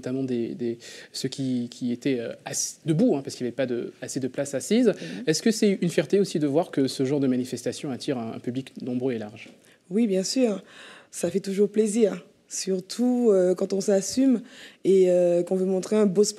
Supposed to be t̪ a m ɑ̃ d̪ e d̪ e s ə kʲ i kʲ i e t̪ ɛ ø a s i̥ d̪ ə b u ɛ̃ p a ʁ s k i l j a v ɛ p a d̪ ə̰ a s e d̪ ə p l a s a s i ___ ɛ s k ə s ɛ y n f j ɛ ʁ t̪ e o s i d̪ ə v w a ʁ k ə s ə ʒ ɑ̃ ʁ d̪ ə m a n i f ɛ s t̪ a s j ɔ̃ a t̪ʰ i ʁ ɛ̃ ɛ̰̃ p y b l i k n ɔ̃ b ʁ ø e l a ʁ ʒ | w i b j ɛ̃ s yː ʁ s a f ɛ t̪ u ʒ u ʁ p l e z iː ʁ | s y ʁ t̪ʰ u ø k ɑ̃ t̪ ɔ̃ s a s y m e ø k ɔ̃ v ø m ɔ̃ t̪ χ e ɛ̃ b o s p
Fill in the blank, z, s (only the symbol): z